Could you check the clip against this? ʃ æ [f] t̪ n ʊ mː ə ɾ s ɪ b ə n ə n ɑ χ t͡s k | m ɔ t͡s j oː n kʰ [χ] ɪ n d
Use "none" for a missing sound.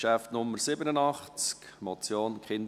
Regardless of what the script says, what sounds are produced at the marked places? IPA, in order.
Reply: f, χ

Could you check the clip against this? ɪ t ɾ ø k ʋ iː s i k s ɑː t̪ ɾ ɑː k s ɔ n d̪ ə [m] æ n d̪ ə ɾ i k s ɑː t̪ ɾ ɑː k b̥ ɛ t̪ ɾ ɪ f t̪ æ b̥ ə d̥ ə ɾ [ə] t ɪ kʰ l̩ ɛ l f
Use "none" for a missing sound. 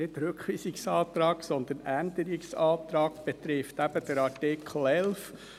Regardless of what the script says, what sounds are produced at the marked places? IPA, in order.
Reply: n, ɑ

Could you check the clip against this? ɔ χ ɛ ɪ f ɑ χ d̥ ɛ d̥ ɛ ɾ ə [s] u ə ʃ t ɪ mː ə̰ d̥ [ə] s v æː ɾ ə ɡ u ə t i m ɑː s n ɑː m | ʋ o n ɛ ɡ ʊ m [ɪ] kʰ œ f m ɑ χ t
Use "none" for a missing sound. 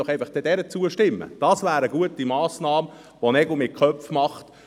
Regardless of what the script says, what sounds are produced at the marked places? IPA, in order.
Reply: t͡s, ɑ, ɪ

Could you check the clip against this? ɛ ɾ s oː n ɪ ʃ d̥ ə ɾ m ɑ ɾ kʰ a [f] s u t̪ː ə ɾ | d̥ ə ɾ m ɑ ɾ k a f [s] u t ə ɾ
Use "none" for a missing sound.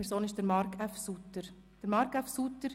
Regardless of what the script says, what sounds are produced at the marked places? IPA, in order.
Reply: f, s

